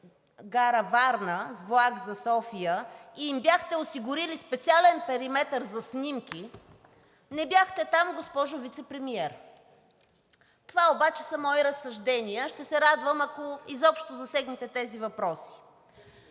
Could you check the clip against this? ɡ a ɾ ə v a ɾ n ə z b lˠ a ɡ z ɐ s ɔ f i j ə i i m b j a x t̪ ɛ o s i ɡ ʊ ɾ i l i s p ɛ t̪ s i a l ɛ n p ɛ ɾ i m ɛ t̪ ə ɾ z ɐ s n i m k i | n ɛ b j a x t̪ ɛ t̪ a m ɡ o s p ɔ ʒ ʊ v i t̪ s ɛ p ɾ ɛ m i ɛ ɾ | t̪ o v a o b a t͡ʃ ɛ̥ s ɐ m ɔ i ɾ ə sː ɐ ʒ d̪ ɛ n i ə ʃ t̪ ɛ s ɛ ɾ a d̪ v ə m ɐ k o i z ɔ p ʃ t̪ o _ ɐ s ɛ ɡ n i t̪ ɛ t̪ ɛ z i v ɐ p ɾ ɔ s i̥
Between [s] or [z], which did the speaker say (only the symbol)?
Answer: z